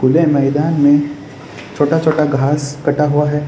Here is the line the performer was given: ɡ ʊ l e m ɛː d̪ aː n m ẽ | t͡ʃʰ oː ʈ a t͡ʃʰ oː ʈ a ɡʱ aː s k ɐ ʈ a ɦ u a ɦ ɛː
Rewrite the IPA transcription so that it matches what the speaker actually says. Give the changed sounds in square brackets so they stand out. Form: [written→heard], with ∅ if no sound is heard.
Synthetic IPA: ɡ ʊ l e m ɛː d̪ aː n m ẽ | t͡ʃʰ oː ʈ a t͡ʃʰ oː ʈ a ɡʱ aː s k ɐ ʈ a ɦ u a ɦ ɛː